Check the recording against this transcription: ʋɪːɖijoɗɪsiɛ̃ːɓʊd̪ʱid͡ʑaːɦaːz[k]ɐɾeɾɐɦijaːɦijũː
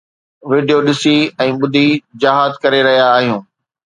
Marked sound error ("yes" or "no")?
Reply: no